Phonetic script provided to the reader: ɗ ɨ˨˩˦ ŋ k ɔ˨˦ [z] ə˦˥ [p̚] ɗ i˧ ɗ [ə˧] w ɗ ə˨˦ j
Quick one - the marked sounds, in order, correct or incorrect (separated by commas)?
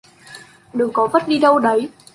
incorrect, incorrect, correct